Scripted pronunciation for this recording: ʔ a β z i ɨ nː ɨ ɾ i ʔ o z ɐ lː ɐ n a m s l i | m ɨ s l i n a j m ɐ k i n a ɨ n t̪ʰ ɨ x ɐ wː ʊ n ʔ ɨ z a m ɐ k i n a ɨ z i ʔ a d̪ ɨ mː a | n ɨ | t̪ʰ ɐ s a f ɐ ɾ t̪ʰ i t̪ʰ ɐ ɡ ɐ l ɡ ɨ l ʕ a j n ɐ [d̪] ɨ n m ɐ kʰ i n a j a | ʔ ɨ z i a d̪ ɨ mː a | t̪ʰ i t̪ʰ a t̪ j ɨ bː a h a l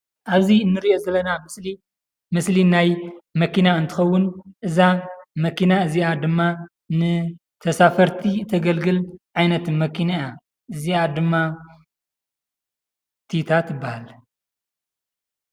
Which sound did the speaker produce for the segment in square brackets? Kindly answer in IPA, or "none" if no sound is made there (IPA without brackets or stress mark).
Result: t̪